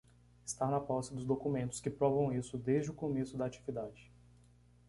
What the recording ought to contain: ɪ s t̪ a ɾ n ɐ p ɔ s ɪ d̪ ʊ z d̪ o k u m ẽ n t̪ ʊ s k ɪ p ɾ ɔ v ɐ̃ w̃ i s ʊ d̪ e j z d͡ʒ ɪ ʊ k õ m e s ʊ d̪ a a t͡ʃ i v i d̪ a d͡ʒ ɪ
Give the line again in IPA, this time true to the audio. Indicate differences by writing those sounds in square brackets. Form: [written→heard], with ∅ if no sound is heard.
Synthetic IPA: ɪ s t̪ a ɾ n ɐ p ɔ s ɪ d̪ ʊ z d̪ o k u m ẽ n t̪ ʊ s k ɪ p ɾ ɔ v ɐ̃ w̃ i s ʊ d̪ e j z d͡ʒ ɪ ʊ k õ m e s ʊ d̪ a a t͡ʃ i v i d̪ a d͡ʒ ɪ